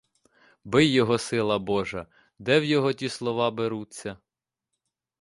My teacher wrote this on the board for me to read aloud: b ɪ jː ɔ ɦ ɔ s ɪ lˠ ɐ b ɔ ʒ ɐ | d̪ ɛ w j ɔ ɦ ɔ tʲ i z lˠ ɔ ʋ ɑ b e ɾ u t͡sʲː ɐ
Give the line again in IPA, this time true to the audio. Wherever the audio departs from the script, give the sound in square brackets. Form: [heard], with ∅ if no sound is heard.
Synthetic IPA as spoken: b ɪ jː ɔ ɦ ɔ s ɪ lˠ ɐ b ɔ ʒ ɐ | d̪ ɛ w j ɔ ɦ ɔ tʲ i [s] lˠ ɔ ʋ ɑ b e ɾ u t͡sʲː ɐ